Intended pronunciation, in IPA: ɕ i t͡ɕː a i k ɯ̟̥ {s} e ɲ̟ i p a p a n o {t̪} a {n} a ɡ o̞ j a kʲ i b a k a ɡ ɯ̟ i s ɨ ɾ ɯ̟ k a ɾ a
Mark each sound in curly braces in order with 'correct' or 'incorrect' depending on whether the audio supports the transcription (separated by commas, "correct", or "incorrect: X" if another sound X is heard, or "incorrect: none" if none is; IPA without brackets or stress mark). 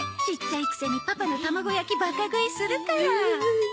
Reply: correct, correct, incorrect: m